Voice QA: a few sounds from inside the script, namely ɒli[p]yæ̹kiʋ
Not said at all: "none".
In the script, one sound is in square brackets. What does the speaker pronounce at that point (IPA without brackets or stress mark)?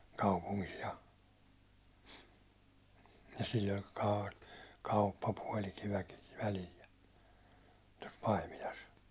t